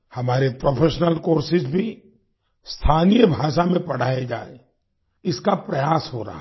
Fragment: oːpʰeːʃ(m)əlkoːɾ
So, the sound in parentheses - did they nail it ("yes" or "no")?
no